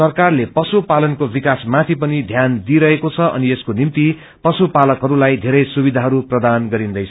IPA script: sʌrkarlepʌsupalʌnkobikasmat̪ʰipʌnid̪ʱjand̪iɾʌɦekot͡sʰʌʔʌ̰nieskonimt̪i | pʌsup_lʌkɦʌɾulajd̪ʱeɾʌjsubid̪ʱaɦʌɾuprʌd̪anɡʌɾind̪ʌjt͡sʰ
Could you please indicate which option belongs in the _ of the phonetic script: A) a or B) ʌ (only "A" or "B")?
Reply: A